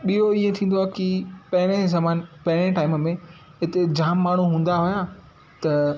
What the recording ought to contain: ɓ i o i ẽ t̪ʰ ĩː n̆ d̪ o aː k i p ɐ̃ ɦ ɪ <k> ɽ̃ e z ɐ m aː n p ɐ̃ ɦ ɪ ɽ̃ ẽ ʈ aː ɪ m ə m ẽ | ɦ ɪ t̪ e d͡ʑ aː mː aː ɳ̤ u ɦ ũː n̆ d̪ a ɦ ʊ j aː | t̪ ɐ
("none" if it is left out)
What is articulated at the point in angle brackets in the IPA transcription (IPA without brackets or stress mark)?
none